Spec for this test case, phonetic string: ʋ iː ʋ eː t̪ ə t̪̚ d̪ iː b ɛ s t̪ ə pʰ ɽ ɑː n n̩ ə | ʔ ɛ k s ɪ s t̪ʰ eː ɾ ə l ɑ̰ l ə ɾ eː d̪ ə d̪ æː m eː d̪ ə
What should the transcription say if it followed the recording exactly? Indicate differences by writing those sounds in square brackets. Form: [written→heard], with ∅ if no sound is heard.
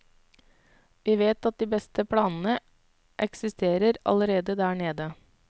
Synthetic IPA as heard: ʋ iː ʋ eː t̪ [ə→ɑ] t̪̚ d̪ iː b ɛ s t̪ ə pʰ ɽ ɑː n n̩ ə | ʔ ɛ k s ɪ s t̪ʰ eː ɾ ə [l→ɾ] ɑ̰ l ə ɾ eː d̪ ə d̪ æː [m→ɳ] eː d̪ ə